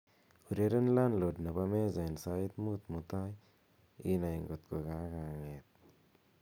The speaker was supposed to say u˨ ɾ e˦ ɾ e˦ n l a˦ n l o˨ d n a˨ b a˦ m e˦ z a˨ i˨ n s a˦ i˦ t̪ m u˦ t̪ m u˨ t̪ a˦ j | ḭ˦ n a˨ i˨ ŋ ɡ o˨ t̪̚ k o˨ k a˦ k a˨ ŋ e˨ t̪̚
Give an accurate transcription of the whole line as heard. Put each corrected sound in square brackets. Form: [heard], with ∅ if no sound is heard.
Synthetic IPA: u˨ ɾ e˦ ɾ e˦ n l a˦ n l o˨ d n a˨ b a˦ m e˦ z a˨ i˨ n s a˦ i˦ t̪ m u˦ t̪ m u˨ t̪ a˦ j | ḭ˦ n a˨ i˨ ŋ ɡ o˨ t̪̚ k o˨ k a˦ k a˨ ŋ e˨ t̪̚